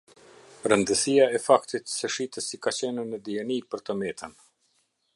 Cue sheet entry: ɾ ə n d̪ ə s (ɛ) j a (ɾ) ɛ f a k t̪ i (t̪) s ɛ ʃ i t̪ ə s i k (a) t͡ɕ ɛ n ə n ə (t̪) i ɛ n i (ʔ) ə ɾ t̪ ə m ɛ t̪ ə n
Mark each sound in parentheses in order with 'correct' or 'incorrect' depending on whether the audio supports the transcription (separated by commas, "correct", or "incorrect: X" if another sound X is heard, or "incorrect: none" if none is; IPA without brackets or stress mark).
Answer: incorrect: i, incorrect: none, correct, correct, incorrect: d̪, incorrect: p